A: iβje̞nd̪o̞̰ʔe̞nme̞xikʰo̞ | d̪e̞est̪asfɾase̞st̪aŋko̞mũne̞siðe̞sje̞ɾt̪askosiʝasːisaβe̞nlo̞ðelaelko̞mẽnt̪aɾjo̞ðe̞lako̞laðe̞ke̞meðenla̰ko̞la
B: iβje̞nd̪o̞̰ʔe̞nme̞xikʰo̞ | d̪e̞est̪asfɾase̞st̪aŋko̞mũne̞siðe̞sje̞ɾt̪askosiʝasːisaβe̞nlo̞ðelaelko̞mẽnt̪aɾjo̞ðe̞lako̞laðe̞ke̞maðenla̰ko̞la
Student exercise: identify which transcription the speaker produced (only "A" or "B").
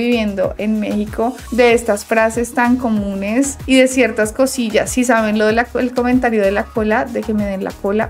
A